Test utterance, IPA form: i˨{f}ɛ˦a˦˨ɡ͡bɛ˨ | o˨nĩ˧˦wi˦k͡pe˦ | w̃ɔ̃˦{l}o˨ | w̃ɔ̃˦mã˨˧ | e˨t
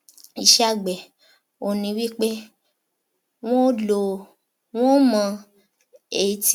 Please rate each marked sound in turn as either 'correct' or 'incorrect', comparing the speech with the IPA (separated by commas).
incorrect, correct